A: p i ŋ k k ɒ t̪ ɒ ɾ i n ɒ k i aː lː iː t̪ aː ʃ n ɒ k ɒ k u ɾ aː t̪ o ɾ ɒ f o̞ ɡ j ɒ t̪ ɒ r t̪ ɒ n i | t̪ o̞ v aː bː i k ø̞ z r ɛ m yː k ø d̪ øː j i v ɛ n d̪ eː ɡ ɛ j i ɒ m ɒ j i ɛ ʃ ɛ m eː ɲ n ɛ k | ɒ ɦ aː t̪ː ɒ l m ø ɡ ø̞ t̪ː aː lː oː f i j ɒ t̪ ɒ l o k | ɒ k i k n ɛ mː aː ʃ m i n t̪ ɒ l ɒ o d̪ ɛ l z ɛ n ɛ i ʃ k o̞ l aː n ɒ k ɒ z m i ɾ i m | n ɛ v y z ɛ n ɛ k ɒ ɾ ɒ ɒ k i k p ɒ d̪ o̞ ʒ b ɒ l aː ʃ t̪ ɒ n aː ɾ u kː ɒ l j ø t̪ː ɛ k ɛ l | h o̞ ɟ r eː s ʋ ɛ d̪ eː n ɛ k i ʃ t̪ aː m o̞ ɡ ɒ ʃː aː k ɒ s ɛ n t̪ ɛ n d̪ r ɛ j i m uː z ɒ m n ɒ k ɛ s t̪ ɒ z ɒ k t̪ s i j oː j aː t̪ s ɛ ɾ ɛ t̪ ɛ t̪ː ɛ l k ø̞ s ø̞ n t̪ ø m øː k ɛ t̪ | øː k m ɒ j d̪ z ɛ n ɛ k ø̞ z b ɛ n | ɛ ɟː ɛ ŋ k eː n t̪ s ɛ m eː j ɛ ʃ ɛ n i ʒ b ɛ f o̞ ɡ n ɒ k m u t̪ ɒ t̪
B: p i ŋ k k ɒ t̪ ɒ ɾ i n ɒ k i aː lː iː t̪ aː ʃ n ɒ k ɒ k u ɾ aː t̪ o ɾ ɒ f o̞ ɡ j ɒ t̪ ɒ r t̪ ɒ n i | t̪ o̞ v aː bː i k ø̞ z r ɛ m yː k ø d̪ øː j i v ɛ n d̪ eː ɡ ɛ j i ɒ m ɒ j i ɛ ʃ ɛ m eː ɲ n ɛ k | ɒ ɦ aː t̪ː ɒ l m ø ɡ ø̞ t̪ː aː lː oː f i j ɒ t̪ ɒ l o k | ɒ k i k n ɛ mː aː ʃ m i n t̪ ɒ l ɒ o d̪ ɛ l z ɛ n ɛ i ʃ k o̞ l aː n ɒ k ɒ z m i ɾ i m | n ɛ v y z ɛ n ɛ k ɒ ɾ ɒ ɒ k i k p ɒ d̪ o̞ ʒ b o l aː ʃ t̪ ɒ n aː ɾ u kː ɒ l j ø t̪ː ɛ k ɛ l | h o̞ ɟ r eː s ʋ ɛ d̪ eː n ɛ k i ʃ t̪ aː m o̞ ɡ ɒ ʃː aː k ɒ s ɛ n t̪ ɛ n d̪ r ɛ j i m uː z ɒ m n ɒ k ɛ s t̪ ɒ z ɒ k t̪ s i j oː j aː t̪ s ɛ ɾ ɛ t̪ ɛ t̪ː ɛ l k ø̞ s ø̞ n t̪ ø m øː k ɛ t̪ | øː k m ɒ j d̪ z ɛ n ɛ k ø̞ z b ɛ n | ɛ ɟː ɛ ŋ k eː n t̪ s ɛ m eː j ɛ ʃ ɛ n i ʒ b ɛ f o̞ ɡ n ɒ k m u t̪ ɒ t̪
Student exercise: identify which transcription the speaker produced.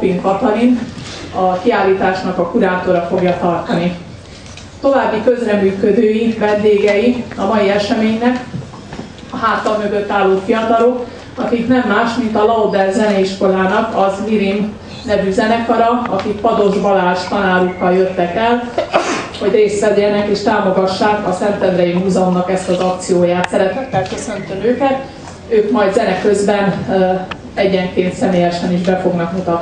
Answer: A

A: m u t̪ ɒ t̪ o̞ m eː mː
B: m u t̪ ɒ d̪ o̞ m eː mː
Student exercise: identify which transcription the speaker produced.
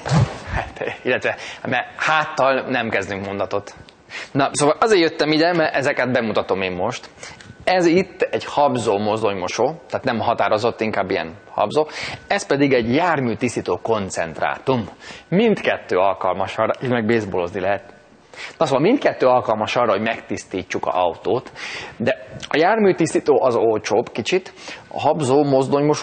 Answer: A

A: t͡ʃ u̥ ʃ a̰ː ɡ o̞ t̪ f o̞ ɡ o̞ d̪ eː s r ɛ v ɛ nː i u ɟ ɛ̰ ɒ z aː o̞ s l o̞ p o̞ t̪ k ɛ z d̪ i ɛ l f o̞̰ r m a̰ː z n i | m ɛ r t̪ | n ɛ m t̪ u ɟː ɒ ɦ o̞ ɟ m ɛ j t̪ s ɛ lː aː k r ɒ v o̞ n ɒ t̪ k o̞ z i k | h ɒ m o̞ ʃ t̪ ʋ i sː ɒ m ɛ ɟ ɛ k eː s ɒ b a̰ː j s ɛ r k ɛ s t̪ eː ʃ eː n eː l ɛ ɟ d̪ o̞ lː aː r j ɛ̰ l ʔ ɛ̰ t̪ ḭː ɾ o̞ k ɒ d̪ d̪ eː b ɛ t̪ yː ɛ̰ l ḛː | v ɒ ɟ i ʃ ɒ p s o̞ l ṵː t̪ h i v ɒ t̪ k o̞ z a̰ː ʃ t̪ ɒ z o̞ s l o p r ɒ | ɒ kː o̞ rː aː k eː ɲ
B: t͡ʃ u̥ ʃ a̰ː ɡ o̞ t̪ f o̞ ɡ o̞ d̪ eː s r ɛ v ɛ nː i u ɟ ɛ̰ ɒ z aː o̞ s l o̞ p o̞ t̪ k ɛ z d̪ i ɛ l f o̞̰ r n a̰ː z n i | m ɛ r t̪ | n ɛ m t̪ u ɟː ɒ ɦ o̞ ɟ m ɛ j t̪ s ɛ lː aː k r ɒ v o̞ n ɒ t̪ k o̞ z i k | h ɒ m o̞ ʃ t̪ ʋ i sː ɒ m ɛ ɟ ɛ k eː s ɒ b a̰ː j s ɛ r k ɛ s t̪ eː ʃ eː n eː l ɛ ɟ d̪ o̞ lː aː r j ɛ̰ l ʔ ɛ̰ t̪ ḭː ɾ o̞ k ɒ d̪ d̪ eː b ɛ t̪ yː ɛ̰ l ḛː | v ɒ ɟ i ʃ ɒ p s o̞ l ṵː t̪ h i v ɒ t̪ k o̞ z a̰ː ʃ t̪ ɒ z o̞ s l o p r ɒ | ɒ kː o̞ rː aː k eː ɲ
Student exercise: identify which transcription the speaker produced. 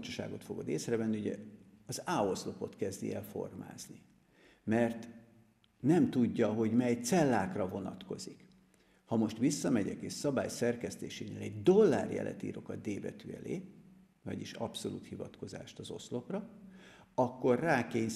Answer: A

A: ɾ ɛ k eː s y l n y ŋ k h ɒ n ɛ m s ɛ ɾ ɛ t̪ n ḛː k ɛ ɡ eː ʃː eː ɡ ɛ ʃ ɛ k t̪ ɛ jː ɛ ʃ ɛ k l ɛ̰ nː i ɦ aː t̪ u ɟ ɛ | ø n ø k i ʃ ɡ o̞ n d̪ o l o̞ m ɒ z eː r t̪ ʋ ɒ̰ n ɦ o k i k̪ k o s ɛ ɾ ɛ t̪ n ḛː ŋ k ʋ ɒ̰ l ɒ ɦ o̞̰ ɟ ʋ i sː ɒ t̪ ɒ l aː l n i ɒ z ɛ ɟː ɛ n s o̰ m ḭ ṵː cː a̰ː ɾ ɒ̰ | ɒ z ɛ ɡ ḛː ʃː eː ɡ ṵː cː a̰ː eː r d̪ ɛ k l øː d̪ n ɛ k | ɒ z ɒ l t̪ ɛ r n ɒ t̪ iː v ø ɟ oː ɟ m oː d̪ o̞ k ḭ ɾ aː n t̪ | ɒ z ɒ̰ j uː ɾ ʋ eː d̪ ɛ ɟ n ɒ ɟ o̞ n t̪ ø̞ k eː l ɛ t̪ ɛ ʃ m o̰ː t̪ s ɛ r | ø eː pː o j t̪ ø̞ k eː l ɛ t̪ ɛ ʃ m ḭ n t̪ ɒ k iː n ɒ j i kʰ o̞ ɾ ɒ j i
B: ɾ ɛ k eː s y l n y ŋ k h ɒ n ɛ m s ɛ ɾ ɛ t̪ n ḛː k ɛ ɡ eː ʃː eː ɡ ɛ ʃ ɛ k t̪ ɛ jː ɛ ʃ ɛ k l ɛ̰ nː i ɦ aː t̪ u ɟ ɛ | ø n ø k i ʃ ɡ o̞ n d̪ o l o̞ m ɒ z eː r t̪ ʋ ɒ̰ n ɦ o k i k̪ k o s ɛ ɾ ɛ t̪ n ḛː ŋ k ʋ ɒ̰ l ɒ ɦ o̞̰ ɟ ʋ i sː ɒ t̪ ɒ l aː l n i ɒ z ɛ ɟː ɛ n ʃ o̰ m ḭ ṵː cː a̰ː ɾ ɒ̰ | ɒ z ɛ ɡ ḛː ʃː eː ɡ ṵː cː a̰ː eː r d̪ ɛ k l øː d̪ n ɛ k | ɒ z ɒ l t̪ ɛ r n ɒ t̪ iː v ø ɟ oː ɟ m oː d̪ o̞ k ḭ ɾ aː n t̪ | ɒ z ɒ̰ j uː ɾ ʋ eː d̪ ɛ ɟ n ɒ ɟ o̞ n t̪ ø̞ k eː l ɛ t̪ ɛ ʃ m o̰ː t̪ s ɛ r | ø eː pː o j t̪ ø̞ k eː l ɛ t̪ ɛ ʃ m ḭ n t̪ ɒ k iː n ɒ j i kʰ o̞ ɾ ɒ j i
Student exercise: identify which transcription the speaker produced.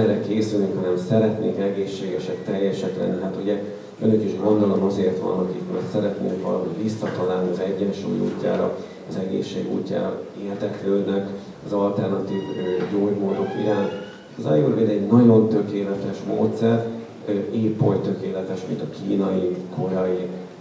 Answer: B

